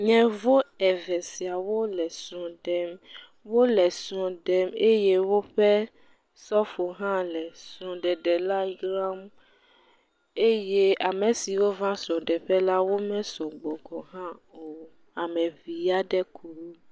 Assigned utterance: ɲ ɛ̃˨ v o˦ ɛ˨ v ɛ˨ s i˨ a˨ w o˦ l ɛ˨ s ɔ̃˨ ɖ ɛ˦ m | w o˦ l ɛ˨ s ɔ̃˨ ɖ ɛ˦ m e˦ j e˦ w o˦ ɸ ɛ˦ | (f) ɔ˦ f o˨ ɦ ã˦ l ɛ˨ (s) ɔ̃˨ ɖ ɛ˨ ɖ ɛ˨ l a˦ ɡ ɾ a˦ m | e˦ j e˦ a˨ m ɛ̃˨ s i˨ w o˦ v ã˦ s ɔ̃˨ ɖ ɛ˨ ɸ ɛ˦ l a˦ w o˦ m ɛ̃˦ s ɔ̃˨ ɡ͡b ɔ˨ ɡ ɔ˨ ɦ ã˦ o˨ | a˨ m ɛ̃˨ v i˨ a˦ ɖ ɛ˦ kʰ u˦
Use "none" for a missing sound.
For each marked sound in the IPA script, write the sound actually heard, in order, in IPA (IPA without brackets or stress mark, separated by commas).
s, s